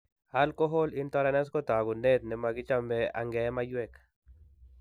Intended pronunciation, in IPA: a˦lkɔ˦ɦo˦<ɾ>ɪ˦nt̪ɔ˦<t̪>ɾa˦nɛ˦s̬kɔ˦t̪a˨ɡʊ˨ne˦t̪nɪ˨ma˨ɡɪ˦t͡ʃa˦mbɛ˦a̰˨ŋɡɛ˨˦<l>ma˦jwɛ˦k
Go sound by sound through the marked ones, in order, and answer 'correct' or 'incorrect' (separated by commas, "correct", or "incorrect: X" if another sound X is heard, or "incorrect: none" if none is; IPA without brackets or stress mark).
incorrect: l, incorrect: none, incorrect: none